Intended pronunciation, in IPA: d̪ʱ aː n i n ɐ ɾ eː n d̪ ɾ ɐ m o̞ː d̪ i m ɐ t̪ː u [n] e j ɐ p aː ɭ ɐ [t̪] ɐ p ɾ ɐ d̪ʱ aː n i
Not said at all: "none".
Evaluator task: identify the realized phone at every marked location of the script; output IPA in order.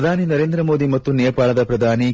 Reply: n, d̪

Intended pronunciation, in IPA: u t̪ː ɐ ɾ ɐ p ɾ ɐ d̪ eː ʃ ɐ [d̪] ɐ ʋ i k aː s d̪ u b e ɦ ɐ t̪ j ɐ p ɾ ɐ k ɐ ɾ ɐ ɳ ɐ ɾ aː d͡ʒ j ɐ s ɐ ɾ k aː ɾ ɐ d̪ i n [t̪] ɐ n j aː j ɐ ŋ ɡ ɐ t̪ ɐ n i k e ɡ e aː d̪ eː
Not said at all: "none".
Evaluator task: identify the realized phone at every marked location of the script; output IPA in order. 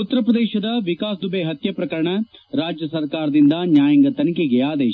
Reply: d̪, d̪

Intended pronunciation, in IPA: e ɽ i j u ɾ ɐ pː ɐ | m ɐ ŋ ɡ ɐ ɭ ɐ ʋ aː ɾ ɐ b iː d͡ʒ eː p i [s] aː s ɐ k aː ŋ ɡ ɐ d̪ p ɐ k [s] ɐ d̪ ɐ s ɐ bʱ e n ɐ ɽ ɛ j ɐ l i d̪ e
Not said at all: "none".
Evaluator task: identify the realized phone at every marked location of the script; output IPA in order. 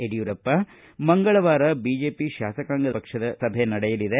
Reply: ʃ, ʂ

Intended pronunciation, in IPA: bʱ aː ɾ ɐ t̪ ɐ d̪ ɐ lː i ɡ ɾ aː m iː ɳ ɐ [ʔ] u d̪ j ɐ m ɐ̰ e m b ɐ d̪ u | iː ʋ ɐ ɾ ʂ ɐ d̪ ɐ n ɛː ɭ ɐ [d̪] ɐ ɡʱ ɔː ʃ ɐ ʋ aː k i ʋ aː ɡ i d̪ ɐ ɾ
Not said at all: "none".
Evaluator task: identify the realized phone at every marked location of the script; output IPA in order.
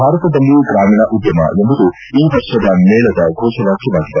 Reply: ʔ, d̪

